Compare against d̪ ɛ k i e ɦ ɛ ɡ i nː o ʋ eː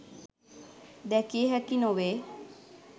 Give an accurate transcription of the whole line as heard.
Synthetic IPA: d̪ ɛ k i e ɦ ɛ k i n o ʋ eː